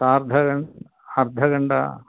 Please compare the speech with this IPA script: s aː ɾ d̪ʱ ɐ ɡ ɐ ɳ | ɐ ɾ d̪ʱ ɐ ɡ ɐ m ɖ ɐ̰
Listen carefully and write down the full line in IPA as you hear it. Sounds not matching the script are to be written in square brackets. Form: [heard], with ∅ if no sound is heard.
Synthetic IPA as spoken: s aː ɾ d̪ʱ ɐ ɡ ɐ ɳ | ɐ ɾ d̪ʱ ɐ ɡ ɐ [ɳ] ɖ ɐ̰